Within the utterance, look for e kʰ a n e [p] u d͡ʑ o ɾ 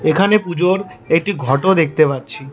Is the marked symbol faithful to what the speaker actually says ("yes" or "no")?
yes